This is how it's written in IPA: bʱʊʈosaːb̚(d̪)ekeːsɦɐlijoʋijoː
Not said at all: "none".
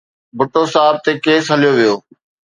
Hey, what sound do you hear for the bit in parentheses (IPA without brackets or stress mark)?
t̪